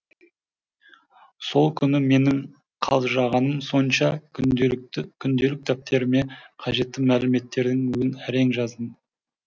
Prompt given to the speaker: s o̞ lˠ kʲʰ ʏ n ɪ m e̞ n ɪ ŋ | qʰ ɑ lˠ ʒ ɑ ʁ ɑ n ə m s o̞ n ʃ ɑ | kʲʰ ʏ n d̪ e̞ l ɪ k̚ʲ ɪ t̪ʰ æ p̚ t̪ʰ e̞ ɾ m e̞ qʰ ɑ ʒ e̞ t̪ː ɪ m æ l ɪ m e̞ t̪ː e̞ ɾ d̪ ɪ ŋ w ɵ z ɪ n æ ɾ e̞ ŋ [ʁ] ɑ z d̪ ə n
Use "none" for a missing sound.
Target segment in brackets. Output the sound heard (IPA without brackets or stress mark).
ʒ